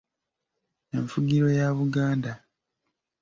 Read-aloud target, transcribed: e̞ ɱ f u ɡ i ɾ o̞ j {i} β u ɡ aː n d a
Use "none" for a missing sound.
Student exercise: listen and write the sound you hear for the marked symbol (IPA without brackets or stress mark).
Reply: a